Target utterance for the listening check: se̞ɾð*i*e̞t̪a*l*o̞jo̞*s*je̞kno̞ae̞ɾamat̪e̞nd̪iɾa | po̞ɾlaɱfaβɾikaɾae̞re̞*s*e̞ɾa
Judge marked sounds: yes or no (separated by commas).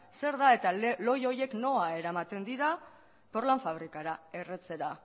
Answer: no, yes, no, no